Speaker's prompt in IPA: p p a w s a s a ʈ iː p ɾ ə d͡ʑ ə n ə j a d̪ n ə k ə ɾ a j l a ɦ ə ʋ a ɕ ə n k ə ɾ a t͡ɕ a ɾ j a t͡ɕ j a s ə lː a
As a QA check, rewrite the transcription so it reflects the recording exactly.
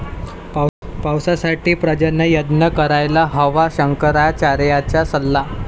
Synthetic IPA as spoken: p p a w s a s a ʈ iː p ɾ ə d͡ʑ ə n ə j ə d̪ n ə k ə ɾ a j l a ɦ ə ʋ a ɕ ə ŋ k ə ɾ a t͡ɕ a ɾ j a t͡ɕ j a s ə lː a